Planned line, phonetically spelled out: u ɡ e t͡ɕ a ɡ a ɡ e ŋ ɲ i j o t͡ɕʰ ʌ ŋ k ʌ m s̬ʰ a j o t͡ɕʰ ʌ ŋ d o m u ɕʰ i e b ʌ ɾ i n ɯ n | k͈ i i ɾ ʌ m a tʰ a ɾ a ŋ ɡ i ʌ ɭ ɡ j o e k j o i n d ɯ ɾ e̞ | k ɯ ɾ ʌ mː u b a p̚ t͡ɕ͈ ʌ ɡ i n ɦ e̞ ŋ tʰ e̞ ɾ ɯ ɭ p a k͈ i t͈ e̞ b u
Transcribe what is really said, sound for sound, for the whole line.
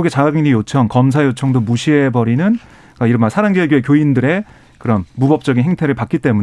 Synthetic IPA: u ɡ e t͡ɕ a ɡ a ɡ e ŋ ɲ i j o t͡ɕʰ ʌ ŋ k ʌ m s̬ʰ a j o t͡ɕʰ ʌ ŋ d o m u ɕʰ i e b ʌ ɾ i n ɯ n | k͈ a i ɾ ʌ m a sʰ a ɾ a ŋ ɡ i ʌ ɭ ɡ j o e k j o i n d ɯ ɾ e̞ | k ɯ ɾ ʌ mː u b ʌ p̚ t͡ɕ͈ ʌ ɡ i n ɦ e̞ ŋ tʰ e̞ ɾ ɯ ɭ p a k͈ i t͈ e̞ m u